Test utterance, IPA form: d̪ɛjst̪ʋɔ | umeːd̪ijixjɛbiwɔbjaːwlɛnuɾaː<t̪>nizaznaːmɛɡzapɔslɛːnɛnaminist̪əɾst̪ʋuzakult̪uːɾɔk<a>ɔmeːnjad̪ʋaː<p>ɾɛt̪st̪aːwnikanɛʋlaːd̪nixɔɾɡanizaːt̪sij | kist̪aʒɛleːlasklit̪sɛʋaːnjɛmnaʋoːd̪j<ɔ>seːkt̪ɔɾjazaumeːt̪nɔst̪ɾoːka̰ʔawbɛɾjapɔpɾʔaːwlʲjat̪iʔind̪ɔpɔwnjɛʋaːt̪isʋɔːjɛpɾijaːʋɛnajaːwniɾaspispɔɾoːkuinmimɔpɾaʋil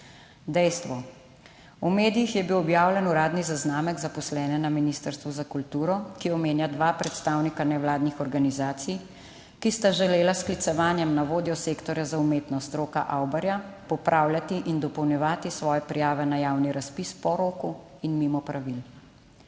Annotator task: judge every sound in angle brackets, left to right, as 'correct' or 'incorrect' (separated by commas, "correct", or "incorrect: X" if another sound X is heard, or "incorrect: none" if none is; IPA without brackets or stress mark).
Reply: incorrect: d̪, incorrect: i, correct, correct